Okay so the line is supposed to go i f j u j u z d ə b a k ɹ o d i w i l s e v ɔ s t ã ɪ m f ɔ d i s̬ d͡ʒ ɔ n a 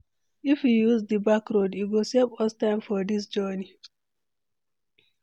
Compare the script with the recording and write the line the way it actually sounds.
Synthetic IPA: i f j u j u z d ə b a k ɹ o d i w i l s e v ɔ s t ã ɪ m f ɔ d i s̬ d͡ʒ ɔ n i